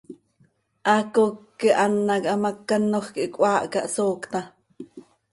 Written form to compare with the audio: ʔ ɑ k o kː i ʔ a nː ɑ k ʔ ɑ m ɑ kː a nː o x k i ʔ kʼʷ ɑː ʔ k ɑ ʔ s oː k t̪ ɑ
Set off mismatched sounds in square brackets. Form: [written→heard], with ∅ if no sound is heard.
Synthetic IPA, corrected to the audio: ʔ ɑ k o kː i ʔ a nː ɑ k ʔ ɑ m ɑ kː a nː o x k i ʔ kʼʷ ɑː ʔ k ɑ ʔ s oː k t̪ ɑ